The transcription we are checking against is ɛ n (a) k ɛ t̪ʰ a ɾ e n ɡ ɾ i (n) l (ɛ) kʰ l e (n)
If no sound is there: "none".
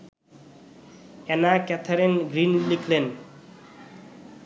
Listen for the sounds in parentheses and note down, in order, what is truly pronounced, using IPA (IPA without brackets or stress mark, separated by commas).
a, n, i, n